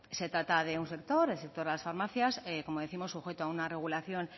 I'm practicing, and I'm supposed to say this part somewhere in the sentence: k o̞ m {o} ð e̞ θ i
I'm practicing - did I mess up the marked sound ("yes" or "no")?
no